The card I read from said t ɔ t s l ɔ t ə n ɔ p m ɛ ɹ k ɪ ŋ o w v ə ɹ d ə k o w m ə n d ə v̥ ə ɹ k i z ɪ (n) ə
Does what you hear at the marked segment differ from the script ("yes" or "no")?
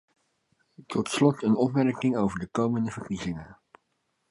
yes